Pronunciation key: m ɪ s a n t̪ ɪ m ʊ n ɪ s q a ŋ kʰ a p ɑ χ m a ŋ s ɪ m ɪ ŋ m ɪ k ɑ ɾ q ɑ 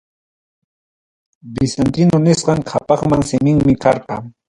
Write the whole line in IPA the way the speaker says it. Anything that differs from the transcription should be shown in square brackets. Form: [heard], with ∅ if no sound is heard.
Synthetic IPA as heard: [b] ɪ s a n t̪ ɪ [n] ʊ n ɪ s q [ɑ] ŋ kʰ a p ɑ χ m a ŋ s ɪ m ɪ ŋ m ɪ k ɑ ɾ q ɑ

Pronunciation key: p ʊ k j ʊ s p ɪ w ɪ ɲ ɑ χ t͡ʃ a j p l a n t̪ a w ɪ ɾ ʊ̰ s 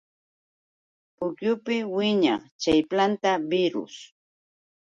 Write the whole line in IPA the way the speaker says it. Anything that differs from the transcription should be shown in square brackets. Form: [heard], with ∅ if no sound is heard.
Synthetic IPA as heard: p ʊ k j ʊ [∅] p ɪ w ɪ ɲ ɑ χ t͡ʃ a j p l a n t̪ a [b] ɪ ɾ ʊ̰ s

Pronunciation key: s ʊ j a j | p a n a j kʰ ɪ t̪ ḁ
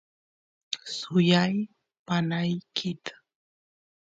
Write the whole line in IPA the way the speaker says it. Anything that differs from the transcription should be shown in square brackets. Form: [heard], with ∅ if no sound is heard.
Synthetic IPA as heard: s ʊ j a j | p a n a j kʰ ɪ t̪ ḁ

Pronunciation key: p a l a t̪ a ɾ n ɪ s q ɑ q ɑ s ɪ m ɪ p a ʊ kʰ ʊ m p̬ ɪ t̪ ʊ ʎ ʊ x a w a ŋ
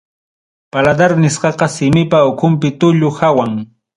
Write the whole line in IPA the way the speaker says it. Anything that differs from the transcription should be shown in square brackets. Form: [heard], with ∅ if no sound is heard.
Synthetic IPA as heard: p a l a [d̪] a ɾ n ɪ s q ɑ q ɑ s ɪ m ɪ p a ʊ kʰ ʊ m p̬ ɪ t̪ ʊ ʎ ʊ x a w a ŋ

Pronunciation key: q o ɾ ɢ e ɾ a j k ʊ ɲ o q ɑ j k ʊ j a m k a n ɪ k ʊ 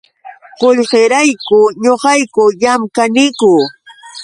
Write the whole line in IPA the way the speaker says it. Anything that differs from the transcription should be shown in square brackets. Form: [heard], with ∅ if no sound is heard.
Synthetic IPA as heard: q o [ʎ] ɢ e ɾ a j k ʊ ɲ o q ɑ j k ʊ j a m k a n ɪ k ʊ

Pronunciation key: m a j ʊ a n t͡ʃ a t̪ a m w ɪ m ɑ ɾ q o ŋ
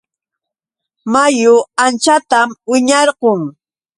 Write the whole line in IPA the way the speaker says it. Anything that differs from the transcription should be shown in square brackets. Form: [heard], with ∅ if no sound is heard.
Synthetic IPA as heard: m a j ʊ a n t͡ʃ a t̪ a m w ɪ [ɲ] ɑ ɾ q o ŋ

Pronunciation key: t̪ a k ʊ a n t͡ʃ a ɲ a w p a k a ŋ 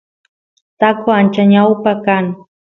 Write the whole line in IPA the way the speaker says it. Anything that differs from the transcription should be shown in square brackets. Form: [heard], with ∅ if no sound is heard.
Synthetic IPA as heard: t̪ a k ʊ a n t͡ʃ a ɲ a w p a k a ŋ

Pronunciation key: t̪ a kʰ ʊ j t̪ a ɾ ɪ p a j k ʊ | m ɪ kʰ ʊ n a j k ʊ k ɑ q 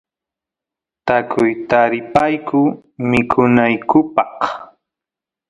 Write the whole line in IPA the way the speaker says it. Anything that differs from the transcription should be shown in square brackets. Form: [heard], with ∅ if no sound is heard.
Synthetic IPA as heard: t̪ a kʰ ʊ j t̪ a ɾ ɪ p a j k ʊ | m ɪ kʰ ʊ n a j k ʊ [p] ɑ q

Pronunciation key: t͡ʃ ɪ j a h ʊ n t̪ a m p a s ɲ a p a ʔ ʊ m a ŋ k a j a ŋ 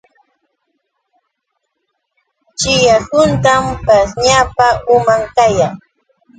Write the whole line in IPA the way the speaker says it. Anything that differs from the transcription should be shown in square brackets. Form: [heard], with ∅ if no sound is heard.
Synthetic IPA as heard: t͡ʃ ɪ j a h ʊ n t̪ a m p a s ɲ a p a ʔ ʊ m a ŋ k a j a ŋ

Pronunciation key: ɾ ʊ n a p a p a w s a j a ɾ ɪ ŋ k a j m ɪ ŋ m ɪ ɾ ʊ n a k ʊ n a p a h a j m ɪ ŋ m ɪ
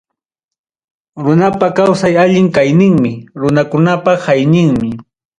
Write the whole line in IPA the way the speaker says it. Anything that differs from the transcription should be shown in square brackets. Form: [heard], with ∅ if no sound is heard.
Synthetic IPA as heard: ɾ ʊ n a p a [k] a w s a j a [ʎ] ɪ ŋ k a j [n] ɪ ŋ m ɪ ɾ ʊ n a k ʊ n a p a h a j [n] ɪ ŋ m ɪ

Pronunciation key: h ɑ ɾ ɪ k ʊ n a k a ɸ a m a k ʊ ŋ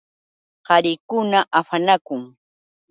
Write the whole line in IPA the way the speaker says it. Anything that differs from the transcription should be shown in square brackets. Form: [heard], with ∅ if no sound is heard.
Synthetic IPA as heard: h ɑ ɾ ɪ k ʊ n a [ʔ] a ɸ a [n] a k ʊ ŋ

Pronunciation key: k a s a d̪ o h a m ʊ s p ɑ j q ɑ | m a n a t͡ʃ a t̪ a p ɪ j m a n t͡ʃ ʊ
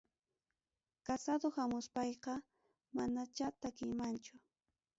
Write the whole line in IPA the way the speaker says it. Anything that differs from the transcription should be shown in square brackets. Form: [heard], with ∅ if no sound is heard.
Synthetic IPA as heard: k a s a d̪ o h a m ʊ s p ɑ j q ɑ | m a n a t͡ʃ a t̪ a [k] ɪ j m a n t͡ʃ ʊ

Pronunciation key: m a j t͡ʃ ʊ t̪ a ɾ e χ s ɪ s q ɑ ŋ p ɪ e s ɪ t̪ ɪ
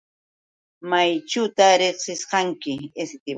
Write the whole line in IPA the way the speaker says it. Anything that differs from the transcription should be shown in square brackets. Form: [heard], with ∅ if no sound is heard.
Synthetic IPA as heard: m a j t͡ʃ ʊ t̪ a ɾ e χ s ɪ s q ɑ ŋ [k] ɪ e s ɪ t̪ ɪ

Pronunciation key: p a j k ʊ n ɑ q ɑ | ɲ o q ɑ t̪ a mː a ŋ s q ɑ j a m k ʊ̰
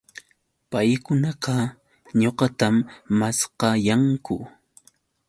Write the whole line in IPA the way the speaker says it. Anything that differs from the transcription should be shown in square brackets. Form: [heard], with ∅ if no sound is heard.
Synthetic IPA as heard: p a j k ʊ n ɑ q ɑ | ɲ o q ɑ t̪ a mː a [∅] s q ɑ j a [ŋ] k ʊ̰

